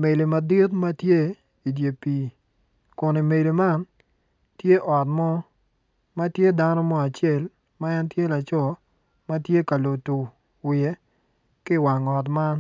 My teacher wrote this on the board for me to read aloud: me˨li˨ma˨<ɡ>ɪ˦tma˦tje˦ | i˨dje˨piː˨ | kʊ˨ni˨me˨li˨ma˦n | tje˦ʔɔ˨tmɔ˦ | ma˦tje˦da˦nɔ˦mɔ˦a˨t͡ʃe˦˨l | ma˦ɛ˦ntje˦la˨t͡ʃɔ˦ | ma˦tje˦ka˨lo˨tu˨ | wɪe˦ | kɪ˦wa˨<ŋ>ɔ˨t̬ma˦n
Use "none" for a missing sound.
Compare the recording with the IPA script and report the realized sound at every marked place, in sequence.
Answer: d, ŋ

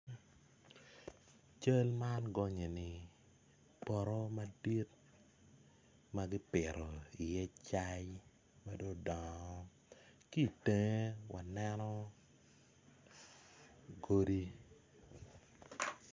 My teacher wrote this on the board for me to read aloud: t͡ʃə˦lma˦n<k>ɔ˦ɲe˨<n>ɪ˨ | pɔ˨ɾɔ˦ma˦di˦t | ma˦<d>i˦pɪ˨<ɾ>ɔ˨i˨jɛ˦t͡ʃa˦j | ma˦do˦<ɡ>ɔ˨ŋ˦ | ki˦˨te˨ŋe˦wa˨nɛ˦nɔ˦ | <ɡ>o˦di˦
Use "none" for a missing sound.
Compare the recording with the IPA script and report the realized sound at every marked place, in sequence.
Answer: ɡ, n, ɡ, ɾ, d, ɡ

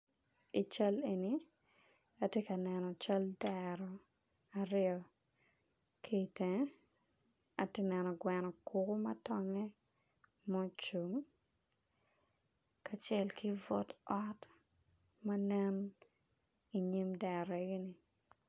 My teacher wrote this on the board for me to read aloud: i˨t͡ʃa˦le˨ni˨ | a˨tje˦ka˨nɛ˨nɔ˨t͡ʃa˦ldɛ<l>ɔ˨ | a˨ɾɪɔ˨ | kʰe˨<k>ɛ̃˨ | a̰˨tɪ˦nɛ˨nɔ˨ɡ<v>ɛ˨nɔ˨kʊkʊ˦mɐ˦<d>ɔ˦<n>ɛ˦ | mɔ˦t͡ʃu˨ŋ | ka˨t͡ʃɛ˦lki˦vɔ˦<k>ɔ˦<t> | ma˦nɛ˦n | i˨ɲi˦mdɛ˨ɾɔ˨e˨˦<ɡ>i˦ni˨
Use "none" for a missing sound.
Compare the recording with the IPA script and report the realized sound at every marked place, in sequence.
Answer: ɾ, t, w, t, ŋ, t, t, ɡ

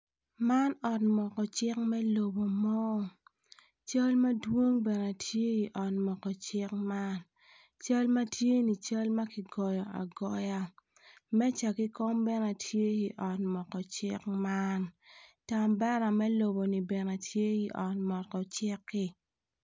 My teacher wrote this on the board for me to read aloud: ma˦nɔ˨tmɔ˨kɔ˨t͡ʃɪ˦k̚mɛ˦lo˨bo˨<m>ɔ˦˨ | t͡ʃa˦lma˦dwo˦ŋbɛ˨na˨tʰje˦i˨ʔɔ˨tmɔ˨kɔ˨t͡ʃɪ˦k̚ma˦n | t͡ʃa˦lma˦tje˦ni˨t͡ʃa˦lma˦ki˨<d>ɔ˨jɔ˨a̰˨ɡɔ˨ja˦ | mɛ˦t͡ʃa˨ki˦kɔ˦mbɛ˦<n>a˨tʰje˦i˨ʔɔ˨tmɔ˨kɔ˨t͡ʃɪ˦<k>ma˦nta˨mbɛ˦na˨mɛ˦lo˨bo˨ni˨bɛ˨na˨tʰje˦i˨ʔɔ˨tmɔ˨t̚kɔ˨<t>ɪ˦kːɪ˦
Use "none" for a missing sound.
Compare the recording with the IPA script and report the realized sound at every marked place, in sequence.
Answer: m, ɡ, n, k, t͡ʃ

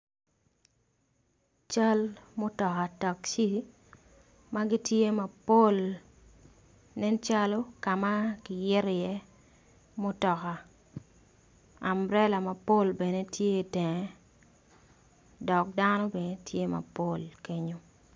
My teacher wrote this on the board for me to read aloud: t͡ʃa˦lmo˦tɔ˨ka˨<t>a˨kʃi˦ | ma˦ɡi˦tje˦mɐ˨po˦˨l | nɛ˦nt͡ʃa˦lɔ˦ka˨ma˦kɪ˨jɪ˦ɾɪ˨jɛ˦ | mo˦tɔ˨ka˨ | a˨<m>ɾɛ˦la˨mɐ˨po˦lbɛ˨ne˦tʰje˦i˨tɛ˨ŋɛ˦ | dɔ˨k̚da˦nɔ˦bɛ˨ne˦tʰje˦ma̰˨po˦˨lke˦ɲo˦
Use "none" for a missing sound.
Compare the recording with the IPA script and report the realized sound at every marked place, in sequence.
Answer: t, m

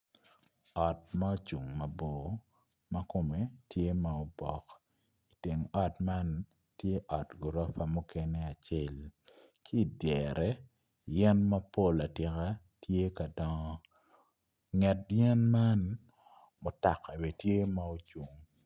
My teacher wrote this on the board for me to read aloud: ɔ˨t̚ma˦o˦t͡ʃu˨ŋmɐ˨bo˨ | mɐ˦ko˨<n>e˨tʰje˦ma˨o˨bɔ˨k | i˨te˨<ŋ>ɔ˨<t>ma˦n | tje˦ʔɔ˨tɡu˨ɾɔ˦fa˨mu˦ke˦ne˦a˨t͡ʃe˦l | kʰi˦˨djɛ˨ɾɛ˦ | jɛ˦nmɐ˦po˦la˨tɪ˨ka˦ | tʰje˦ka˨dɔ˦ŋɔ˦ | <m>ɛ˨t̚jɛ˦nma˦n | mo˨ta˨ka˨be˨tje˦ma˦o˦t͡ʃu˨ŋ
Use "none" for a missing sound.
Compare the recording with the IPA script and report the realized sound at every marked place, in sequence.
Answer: m, ŋ, t, ŋ

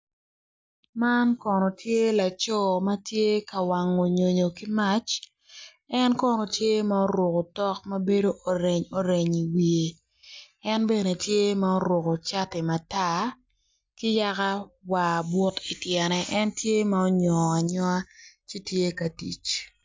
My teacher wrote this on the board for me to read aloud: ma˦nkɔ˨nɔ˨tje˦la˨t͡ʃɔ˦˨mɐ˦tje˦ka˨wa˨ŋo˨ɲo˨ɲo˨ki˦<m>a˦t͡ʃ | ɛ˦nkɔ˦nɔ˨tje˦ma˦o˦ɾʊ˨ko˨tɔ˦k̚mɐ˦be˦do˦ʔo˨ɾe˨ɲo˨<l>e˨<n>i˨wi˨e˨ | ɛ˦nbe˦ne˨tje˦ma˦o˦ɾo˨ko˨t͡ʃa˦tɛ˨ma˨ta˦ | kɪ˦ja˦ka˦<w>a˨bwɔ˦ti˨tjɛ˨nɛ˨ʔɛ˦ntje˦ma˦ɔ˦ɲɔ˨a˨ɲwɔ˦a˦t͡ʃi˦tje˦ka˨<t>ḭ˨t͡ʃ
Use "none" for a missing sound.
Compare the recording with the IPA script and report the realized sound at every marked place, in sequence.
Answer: m, ɾ, ɲ, w, t

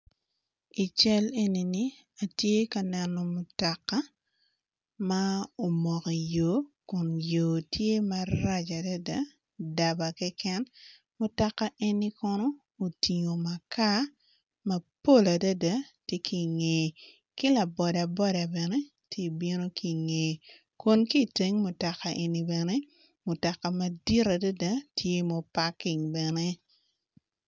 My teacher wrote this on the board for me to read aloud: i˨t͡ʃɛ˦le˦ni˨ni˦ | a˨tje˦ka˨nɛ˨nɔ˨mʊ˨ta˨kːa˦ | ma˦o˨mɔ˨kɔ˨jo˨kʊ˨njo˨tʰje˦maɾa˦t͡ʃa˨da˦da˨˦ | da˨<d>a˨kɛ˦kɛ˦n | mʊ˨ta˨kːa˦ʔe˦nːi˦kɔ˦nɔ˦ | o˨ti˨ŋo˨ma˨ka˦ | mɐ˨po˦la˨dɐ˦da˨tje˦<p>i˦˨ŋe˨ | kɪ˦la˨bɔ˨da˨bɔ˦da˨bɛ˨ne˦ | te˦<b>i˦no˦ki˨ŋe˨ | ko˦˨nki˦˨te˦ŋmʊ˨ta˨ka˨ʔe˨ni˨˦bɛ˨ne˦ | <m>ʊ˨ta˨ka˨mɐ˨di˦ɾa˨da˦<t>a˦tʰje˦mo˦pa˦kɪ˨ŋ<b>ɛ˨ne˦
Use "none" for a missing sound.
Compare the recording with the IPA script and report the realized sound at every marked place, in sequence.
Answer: b, k, b, m, d, b

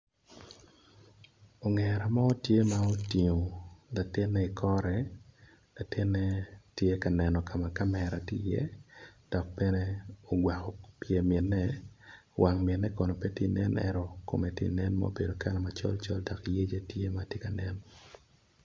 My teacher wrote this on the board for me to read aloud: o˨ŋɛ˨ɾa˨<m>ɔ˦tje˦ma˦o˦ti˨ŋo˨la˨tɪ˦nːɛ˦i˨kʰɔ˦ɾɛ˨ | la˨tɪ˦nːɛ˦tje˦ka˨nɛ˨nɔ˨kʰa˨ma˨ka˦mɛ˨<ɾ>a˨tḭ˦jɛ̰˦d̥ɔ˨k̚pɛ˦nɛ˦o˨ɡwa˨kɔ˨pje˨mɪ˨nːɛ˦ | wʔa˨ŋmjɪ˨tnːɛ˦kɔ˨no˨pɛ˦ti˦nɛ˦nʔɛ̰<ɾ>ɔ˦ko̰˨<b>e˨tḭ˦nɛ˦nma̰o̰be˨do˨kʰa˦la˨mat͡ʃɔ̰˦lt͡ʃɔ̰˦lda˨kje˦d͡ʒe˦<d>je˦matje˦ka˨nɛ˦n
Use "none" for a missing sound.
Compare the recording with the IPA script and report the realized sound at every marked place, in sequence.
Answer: m, ɾ, ɾ, m, t

